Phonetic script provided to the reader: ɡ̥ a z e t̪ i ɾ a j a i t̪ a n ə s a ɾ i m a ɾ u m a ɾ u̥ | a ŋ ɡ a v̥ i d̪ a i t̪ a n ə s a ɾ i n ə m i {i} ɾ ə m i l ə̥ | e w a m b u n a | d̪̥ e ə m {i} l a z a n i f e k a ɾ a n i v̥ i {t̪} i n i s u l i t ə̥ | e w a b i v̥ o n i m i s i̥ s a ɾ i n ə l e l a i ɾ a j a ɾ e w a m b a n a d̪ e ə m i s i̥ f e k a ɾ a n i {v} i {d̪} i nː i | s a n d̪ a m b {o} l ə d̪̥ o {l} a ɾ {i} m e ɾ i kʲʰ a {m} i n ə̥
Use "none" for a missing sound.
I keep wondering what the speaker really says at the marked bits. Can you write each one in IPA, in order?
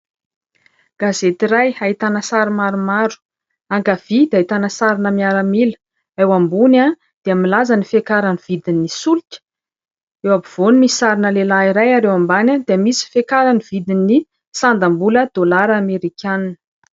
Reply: a, i, d̪, v, d̪, u, l, a, n

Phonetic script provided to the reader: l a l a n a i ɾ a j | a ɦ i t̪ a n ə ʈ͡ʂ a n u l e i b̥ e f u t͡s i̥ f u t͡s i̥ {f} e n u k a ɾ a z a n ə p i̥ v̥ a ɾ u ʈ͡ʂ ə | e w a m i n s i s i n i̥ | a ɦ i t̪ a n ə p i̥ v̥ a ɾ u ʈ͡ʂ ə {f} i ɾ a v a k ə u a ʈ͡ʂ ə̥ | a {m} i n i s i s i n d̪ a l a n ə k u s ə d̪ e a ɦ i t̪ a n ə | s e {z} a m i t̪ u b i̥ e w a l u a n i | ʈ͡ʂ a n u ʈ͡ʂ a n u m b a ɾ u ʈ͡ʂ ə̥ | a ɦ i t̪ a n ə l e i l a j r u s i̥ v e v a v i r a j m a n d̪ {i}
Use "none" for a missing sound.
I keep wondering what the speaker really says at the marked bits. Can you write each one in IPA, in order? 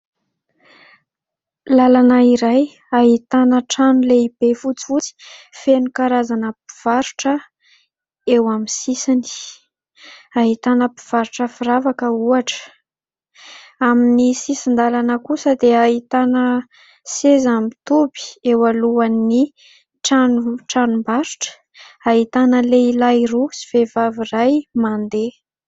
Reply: f, f, m, z, e

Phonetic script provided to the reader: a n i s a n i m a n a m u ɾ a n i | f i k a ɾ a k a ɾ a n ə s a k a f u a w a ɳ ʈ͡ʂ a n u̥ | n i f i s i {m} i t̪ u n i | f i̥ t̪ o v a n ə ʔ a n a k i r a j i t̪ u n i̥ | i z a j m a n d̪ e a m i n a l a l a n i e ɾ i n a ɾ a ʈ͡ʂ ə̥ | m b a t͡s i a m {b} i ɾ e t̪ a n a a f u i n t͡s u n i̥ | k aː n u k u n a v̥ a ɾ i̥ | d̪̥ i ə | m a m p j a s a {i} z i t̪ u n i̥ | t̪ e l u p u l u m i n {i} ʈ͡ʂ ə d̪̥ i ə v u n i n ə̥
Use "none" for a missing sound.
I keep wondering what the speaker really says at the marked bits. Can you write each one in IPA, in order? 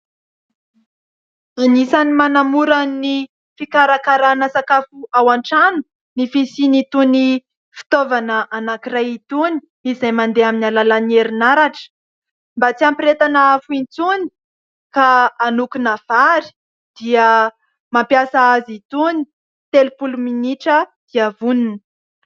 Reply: n, p, a, i

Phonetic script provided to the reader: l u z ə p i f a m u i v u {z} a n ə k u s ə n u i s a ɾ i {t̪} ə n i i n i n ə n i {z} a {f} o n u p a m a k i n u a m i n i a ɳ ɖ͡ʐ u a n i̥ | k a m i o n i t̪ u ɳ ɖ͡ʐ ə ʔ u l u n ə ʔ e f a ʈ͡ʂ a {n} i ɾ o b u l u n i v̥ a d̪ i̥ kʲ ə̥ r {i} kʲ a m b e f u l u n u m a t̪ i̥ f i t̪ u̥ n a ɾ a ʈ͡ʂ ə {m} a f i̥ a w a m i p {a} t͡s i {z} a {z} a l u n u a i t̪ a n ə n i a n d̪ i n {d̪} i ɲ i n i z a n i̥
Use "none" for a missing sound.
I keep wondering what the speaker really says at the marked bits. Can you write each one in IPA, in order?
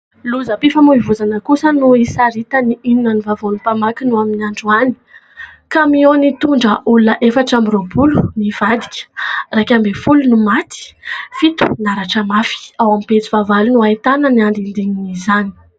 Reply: z, t̪, v, v, m, a, m, e, v, v, d̪

